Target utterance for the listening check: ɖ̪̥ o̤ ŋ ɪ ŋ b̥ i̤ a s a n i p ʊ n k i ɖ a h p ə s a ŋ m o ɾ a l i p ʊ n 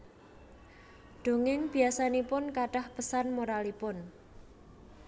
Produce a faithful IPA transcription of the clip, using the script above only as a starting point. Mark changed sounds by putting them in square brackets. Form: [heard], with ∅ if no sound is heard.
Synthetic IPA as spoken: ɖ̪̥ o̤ ŋ ɪ ŋ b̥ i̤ a s a n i p ʊ n k [a] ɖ a h p ə s a [n] m o ɾ a l i p ʊ n